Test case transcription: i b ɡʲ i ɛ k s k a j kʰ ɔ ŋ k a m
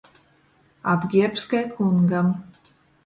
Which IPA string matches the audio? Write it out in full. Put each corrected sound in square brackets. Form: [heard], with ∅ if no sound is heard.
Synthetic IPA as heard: [a] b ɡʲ i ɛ [p] s k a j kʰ [u] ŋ [ɡ] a m